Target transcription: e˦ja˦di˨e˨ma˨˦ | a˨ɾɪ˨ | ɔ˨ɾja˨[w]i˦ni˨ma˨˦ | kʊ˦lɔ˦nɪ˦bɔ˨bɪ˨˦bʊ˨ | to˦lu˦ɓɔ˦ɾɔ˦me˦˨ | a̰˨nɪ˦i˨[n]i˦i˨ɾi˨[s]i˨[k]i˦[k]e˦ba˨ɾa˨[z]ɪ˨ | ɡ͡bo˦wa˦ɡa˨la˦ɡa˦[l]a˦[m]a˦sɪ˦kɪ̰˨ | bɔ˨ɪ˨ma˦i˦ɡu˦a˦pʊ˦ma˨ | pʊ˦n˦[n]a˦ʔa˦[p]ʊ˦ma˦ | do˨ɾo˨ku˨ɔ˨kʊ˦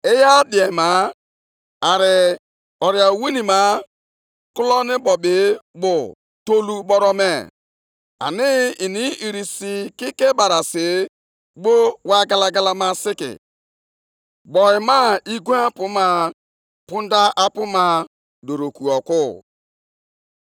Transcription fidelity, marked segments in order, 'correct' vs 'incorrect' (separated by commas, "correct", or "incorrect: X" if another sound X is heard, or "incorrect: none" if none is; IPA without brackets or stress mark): correct, correct, correct, correct, correct, incorrect: s, correct, correct, incorrect: d, correct